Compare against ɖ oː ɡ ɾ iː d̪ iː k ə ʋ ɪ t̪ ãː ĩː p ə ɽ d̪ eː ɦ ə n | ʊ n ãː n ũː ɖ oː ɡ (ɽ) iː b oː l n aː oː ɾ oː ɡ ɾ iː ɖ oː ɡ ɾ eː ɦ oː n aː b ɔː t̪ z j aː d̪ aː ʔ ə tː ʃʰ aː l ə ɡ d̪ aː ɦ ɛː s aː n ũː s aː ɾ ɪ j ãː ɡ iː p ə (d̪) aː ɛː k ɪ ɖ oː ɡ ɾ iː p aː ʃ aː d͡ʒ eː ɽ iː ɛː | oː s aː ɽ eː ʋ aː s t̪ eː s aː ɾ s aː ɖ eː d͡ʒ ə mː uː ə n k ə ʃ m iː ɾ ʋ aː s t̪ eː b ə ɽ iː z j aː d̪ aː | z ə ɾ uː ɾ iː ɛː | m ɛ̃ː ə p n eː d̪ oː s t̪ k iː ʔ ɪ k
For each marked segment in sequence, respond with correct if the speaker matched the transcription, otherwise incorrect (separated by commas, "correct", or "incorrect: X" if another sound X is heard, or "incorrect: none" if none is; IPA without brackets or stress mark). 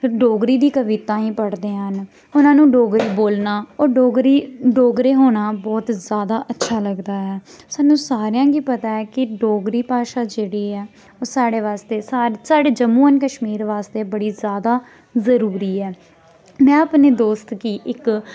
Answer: incorrect: ɾ, incorrect: t̪